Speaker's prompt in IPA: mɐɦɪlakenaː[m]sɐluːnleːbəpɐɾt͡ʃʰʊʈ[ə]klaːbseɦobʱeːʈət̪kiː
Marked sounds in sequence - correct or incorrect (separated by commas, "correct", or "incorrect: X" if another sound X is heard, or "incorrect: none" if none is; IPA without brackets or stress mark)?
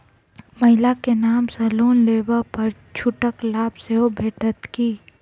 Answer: correct, correct